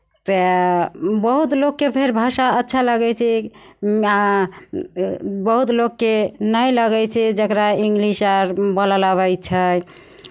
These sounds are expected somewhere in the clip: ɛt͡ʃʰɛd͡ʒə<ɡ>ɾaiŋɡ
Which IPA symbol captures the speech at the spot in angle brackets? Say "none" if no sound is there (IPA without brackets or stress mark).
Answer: k